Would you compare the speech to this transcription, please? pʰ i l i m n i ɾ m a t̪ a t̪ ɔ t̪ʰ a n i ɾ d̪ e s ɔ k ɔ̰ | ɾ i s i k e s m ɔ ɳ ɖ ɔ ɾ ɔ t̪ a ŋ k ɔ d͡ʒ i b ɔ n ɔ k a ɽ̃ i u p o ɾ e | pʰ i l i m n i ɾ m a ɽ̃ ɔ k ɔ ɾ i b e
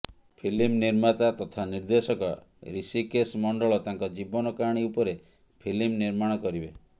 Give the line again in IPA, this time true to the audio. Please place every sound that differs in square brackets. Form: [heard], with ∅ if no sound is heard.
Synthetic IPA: pʰ i l i m n i ɾ m a t̪ a t̪ ɔ t̪ʰ a n i ɾ d̪ e s ɔ k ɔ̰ | ɾ i s i k e s m ɔ ɳ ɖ ɔ [ɭ] ɔ t̪ a ŋ k ɔ d͡ʒ i b ɔ n ɔ k a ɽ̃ i u p [ɔ] ɾ e | pʰ i l i m n i ɾ m a ɽ̃ ɔ k ɔ ɾ i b e